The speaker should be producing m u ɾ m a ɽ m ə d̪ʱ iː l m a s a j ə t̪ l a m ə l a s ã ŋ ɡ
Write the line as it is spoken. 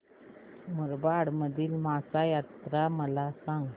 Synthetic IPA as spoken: m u ɾ b a ɽ m ə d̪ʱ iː l m a s a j a t̪ ɾ a m ə l a s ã ŋ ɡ

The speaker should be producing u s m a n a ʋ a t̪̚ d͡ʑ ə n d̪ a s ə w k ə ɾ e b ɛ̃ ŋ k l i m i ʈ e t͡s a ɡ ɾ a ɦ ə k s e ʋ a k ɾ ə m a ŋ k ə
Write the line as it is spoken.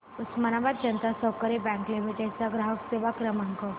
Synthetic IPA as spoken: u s m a n a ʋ a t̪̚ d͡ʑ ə n t̪ a s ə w k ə ɾ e b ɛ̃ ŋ k l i m i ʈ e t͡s a ɡ ɾ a ɦ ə k s e ʋ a k ɾ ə m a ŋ k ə

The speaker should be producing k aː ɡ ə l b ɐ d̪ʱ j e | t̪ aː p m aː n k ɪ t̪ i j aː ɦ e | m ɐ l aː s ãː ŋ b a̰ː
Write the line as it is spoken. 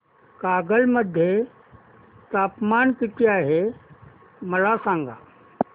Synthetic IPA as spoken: k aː ɡ ə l m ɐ d̪ʱ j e | t̪ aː p m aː n k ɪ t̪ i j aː ɦ e | m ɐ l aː s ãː ŋ ɡ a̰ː

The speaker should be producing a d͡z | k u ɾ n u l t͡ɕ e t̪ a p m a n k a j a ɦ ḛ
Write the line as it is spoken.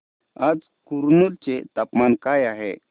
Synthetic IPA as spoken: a d͡z | k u ɾ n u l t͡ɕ e t̪ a p m a n k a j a ɦ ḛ

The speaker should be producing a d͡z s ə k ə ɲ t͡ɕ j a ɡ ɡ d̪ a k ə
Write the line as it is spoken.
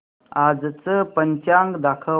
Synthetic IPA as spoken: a d͡z t͡s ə p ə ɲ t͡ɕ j a ŋ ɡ d̪ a kʰ ə

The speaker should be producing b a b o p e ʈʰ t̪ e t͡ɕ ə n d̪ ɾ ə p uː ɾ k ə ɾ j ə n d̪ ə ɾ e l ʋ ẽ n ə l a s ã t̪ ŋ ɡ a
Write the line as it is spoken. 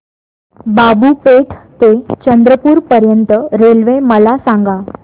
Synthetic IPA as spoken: b a b u p e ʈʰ t̪ e t͡ɕ ə n d̪ ɾ ə p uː ɾ p ə ɾ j ə n t̪ ə ɾ e l ʋ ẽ m ə l a s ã ŋ ɡ a

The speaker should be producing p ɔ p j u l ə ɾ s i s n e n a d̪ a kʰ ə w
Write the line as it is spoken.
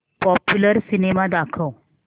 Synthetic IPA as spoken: p ɔ p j u l ə ɾ s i n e m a d̪ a kʰ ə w

